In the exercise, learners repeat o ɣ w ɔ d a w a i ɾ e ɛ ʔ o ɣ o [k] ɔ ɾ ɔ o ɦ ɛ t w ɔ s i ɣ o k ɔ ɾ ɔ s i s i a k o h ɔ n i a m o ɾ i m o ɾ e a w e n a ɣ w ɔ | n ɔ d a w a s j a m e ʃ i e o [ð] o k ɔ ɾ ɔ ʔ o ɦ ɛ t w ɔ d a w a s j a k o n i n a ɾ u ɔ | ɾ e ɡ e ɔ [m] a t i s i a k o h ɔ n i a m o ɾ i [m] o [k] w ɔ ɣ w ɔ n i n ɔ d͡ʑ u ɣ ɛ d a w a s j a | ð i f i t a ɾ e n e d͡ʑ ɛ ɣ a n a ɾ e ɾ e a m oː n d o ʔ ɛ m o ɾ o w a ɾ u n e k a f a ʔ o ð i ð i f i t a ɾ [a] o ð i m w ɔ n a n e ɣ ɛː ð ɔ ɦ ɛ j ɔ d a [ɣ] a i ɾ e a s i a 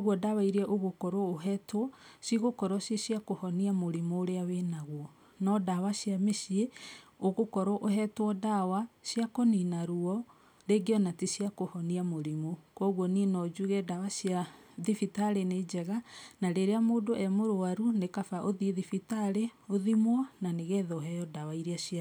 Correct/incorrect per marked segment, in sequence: correct, incorrect: ɣ, incorrect: n, correct, correct, incorrect: e, incorrect: w

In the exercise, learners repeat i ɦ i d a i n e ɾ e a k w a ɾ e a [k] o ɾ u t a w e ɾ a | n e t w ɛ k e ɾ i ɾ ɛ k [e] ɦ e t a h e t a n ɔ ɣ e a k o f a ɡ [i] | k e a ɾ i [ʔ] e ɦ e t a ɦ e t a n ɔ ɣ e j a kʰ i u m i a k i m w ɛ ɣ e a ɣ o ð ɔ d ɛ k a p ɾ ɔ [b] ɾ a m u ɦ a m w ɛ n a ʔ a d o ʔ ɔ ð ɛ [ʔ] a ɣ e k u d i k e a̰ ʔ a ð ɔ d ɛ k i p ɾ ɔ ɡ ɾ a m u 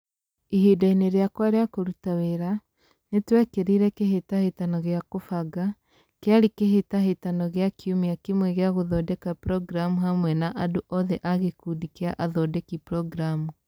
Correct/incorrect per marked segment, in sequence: correct, correct, incorrect: a, incorrect: k, incorrect: ɡ, correct

